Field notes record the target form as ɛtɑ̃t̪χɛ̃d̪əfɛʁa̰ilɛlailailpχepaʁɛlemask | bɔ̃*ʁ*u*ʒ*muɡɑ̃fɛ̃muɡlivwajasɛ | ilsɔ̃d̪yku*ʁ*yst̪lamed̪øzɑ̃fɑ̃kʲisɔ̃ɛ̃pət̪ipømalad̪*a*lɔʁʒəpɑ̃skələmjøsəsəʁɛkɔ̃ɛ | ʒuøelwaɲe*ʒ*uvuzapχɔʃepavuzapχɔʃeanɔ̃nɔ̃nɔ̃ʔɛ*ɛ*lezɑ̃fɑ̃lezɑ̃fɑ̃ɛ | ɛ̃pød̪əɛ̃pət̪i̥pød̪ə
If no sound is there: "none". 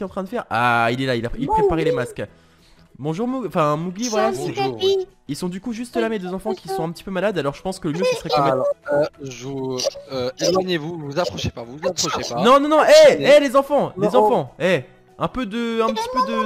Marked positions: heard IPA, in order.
ʒ, ʁ, ʒ, a, v, ɛ

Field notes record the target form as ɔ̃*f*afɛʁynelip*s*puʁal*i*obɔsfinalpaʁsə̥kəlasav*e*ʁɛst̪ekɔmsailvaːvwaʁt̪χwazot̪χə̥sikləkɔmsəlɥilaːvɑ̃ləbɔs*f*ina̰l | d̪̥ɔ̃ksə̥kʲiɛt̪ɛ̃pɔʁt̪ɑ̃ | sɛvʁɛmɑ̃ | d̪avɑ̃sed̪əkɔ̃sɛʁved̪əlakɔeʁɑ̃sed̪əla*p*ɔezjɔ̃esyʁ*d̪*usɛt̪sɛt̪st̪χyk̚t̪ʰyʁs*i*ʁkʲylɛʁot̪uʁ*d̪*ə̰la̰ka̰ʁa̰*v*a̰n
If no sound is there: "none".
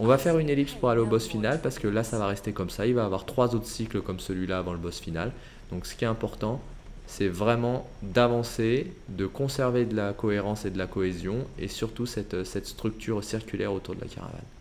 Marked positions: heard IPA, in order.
v, s, e, a, f, k, t̪, i, d̪, v

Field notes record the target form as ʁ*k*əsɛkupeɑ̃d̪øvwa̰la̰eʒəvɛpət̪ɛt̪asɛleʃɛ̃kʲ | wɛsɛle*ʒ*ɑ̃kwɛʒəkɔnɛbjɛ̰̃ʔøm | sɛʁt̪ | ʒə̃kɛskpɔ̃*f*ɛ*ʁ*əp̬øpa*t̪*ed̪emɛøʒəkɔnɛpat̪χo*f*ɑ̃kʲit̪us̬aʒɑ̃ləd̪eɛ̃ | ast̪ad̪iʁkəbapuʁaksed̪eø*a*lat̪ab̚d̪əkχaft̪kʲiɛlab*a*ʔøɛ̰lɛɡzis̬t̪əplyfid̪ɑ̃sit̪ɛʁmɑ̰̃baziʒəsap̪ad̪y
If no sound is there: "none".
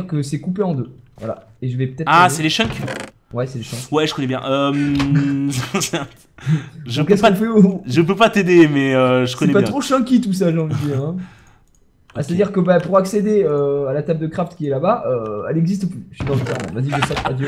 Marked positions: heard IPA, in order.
k, ʃ, f, ʒ, t̪, ʃ, a, a

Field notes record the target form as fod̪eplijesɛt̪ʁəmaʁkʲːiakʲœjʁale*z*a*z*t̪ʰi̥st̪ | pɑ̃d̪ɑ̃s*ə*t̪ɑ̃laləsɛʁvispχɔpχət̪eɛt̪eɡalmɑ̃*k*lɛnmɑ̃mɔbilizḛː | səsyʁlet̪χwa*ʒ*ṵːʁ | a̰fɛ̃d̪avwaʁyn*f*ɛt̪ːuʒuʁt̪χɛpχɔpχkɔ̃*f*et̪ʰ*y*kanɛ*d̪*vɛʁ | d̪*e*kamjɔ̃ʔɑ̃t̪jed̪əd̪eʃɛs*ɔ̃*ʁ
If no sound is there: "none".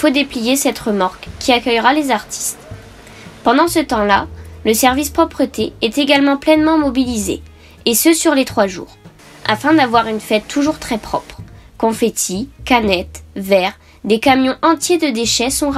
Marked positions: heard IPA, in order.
z, ʁ, ə, p, ʒ, f, f, i, t̪, e, ɔ̃

